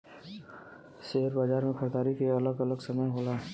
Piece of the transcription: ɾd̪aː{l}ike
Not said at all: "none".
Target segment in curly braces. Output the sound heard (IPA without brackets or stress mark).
ɾ